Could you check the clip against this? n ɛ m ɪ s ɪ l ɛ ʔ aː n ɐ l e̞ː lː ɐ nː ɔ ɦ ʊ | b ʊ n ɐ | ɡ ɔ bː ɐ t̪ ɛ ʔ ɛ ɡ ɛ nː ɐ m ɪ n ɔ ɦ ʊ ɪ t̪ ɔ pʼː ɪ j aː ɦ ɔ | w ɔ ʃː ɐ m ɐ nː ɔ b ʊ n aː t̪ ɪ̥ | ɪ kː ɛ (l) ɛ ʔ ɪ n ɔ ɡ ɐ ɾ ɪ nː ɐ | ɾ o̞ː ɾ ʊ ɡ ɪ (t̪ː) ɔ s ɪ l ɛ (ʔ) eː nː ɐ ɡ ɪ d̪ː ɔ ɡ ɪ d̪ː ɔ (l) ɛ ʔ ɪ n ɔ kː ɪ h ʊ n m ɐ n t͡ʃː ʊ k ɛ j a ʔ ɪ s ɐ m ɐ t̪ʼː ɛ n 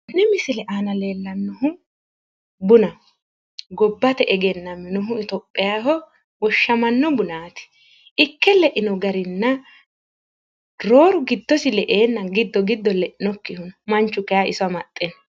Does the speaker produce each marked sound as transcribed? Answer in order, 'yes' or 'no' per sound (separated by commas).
yes, no, yes, yes